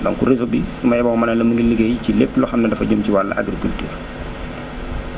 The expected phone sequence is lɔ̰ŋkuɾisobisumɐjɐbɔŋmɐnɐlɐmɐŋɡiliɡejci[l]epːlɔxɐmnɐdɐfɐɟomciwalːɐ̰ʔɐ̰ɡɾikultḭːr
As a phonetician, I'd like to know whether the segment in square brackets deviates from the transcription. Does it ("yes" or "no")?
no